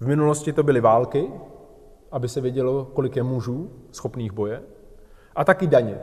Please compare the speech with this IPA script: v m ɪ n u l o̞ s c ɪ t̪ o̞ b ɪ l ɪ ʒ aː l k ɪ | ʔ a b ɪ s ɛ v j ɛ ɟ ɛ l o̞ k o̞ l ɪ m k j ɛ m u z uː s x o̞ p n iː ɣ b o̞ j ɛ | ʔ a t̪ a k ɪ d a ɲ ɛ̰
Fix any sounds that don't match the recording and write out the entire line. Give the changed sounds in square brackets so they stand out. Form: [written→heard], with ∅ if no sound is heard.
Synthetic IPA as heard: v m ɪ n u l o̞ s c ɪ t̪ o̞ b ɪ l ɪ [ʒ→v] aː l k ɪ | ʔ a b ɪ s ɛ v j ɛ ɟ ɛ l o̞ k o̞ l ɪ [m→∅] k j ɛ m u [z→ʒ] uː s x o̞ p n iː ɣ b o̞ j ɛ | ʔ a t̪ a k ɪ d a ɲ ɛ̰